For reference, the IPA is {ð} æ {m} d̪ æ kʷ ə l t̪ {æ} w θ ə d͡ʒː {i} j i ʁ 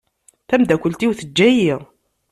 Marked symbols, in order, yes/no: no, yes, no, no

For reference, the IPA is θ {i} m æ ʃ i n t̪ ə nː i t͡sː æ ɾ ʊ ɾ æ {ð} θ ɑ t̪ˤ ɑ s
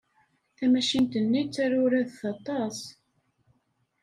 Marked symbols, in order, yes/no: no, yes

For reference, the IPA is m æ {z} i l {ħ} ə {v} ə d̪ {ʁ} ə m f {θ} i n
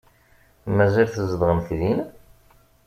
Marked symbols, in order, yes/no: yes, no, no, yes, no

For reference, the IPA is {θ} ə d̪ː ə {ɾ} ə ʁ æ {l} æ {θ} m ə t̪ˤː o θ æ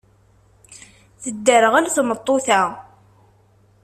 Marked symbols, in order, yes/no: yes, yes, yes, yes

